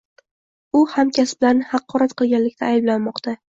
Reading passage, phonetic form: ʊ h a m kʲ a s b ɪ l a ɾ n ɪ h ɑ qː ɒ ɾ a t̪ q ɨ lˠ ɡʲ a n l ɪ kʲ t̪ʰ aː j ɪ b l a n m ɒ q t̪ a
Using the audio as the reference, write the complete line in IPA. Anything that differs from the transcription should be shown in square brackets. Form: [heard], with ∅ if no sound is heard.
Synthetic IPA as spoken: ʊ h a m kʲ a s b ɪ l a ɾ n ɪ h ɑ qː ɒ ɾ a t̪ q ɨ lˠ ɡʲ a n l ɪ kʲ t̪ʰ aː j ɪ b l a n m ɒ q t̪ a